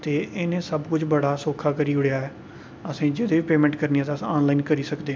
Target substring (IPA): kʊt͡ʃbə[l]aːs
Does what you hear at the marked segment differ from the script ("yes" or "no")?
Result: yes